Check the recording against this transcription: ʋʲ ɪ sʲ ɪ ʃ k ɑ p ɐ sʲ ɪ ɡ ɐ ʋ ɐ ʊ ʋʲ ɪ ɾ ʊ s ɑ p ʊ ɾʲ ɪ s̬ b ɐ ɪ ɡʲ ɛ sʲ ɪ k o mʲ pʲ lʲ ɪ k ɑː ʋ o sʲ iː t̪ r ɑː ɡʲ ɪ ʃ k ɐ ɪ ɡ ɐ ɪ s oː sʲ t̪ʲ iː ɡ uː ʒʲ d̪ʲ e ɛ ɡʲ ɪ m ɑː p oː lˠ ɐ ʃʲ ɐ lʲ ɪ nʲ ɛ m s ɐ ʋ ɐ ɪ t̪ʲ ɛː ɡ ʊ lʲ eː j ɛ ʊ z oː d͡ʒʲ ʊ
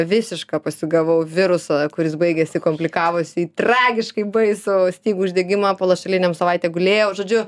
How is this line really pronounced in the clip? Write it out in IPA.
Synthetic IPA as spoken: ʋʲ ɪ sʲ ɪ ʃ k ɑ p ɐ sʲ ɪ ɡ ɐ ʋ ɐ ʊ ʋʲ ɪ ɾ ʊ s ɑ k ʊ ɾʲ ɪ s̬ b ɐ ɪ ɡʲ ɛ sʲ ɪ k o mʲ pʲ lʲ ɪ k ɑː ʋ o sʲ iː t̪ r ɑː ɡʲ ɪ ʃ k ɐ ɪ b ɐ ɪ s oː sʲ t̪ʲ iː ɡ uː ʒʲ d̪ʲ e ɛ ɡʲ ɪ m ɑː p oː lˠ ɐ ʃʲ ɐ lʲ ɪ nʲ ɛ m s ɐ ʋ ɐ ɪ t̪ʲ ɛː ɡ ʊ lʲ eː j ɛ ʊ ʒ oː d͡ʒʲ ʊ